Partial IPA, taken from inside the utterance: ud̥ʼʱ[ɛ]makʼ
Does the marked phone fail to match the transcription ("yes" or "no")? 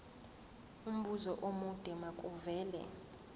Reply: no